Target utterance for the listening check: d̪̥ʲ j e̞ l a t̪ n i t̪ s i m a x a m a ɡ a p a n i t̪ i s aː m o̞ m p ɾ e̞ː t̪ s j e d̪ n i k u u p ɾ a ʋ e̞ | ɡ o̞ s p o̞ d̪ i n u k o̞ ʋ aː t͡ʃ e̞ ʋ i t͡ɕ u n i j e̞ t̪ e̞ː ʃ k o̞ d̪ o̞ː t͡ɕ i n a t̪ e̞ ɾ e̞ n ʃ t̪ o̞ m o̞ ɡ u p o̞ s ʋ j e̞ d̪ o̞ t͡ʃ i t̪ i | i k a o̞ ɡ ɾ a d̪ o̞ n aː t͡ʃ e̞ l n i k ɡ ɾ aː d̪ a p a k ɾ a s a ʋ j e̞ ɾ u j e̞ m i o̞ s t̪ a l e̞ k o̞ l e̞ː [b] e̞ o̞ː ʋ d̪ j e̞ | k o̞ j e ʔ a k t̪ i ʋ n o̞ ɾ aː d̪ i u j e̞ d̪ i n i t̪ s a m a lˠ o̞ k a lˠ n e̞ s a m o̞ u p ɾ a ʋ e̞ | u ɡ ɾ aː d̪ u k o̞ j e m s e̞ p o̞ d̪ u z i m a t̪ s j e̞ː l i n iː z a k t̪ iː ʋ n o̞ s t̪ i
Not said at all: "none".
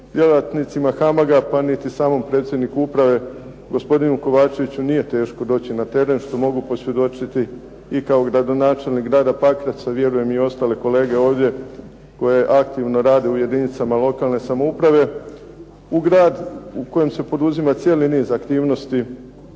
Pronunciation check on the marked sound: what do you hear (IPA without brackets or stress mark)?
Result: ɡ